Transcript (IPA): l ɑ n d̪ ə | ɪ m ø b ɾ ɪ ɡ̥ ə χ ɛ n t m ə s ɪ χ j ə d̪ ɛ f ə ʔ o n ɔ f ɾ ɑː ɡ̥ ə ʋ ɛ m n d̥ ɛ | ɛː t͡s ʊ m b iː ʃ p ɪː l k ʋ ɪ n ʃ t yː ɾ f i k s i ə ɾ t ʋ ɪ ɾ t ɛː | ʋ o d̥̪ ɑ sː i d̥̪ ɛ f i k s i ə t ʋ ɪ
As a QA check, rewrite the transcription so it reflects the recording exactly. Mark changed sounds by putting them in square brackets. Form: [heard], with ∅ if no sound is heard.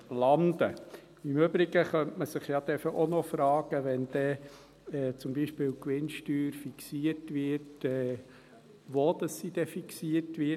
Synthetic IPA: l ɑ n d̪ ə | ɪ m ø b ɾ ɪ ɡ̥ ə χ [œ] n t m ə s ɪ χ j [ɑ] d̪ ɛ f ə ʔ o n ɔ f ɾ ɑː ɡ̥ ə ʋ ɛ [∅] n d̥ ɛ | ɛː t͡s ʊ m b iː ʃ p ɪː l k ʋ ɪ n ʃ t yː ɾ f i k s i ə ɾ t ʋ ɪ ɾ t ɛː | ʋ o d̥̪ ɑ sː i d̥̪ ɛ f i k s i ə t ʋ ɪ

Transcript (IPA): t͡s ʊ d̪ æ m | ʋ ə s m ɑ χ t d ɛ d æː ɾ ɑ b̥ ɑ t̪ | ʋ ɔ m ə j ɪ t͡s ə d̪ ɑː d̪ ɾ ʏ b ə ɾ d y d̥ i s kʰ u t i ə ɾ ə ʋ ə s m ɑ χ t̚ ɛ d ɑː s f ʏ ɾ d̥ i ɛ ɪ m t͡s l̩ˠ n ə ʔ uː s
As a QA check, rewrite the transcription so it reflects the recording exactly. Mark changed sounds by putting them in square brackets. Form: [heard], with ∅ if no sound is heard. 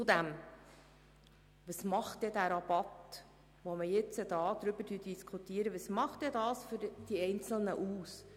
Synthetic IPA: t͡s ʊ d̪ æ m | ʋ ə s m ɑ χ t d ɛ d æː ɾ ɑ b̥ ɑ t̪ | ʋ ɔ m ə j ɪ t͡s ə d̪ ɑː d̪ ɾ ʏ b ə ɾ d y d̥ i s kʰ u t i ə ɾ ə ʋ ə s m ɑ χ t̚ ɛ d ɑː s f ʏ ɾ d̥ i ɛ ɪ [n] t͡s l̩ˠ n ə ʔ uː s

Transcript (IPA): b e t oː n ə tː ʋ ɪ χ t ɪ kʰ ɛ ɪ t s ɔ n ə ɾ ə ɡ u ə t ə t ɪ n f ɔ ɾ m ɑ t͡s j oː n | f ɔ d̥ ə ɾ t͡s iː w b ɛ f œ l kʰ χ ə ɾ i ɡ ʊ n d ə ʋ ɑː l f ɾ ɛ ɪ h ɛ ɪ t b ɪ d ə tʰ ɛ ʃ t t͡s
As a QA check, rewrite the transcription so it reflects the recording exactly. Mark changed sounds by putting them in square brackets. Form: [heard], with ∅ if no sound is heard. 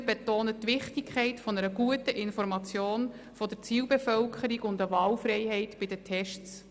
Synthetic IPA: b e t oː n ə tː ʋ ɪ χ t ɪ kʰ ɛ ɪ t [f] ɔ n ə ɾ ə ɡ u ə t ə [ʔ] ɪ n f ɔ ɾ m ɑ t͡s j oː n | f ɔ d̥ ə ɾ t͡s iː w b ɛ f œ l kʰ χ ə ɾ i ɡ ʊ n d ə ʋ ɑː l f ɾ ɛ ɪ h ɛ ɪ t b ɪ d ə tʰ ɛ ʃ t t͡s

